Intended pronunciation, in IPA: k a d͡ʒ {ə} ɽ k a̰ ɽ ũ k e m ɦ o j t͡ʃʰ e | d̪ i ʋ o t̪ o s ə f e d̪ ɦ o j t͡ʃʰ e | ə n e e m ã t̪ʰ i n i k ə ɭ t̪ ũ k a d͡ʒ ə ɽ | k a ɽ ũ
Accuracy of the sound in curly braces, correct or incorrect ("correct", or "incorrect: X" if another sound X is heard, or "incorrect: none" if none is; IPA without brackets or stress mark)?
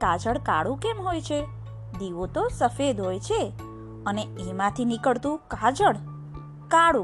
correct